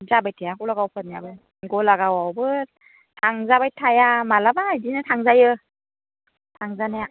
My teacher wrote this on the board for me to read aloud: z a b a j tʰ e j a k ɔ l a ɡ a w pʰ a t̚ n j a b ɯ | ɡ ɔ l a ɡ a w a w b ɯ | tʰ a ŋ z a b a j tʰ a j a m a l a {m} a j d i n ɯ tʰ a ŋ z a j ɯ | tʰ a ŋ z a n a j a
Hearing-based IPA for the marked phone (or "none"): b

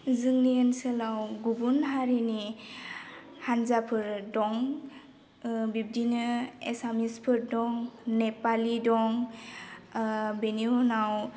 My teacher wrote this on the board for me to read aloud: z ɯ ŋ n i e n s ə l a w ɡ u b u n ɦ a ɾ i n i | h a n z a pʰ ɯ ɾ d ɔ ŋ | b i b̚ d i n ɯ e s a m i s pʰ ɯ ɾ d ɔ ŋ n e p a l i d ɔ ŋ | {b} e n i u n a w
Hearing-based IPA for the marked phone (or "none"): b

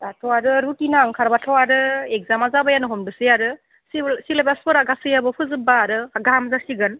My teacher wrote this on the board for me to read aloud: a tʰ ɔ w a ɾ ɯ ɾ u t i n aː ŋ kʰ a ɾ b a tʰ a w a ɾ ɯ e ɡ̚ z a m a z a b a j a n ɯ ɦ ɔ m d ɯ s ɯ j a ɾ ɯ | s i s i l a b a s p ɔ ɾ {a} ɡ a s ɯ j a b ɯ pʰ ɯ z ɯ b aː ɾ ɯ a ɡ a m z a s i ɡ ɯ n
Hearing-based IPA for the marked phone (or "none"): a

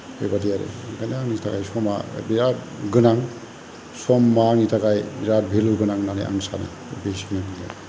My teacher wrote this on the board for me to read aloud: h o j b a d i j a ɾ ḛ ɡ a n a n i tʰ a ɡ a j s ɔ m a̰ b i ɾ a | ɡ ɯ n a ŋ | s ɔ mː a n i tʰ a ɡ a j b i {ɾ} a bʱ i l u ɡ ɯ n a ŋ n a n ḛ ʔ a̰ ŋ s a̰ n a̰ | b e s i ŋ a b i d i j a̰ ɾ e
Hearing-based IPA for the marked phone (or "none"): ɾ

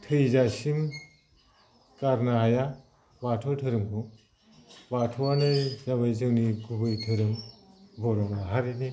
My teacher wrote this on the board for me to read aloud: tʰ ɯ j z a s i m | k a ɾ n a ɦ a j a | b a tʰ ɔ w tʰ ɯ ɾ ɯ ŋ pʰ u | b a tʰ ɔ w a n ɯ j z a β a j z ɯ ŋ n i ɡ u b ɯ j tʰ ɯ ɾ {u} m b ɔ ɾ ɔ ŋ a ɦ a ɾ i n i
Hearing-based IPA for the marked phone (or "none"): ɯ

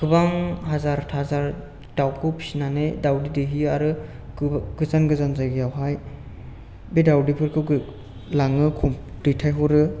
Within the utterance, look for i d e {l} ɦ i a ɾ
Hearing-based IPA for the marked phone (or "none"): none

